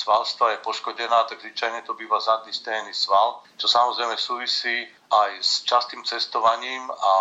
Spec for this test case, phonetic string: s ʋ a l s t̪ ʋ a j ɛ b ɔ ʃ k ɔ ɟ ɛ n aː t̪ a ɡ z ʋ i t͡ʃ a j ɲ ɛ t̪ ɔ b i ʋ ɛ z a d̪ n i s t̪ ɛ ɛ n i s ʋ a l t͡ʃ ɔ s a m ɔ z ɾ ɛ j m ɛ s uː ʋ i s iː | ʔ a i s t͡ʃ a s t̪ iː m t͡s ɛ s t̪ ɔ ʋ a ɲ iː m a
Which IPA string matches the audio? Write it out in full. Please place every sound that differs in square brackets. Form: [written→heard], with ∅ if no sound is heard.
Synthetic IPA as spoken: s ʋ a l s t̪ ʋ a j ɛ [b→p] ɔ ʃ k ɔ ɟ ɛ n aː t̪ a ɡ z ʋ i t͡ʃ a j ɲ ɛ t̪ ɔ b [i→iː] ʋ [ɛ→a] z a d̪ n i s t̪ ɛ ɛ n i s ʋ a l t͡ʃ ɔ s a m ɔ z ɾ ɛ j m ɛ s uː ʋ i s iː | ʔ a [i→j] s t͡ʃ a s t̪ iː m t͡s ɛ s t̪ ɔ ʋ a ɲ iː m a